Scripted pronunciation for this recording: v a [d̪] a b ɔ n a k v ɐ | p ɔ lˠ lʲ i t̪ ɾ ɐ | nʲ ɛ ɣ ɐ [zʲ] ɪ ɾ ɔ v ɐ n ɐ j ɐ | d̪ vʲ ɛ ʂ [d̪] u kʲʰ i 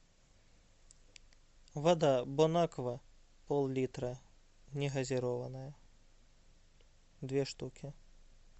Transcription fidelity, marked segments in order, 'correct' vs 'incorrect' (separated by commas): correct, correct, incorrect